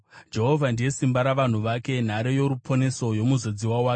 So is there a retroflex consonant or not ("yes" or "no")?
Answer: no